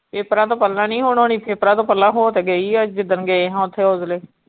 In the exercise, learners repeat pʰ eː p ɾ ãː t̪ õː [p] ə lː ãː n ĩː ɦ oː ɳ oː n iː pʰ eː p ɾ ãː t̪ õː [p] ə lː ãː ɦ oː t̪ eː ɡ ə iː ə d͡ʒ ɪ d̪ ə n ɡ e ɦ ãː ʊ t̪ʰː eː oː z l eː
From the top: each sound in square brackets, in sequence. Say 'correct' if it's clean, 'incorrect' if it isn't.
correct, correct

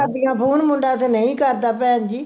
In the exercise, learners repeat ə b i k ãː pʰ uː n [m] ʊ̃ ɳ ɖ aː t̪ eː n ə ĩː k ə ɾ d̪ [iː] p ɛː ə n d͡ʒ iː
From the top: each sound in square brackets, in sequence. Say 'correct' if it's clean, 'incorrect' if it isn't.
correct, incorrect: aː

